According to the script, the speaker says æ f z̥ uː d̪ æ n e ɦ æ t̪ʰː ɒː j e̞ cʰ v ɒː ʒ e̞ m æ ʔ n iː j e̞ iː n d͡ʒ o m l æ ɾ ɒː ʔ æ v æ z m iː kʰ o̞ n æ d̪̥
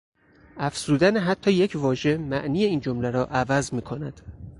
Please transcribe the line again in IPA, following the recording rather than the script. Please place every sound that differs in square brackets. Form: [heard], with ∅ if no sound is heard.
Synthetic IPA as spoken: æ f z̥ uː d̪ æ n e ɦ æ t̪ʰː ɒː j e̞ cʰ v ɒː ʒ e̞ m æ ʔ n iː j e̞ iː n d͡ʒ o m l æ ɾ ɒː ʔ æ v æ z m iː kʰ o̞ n æ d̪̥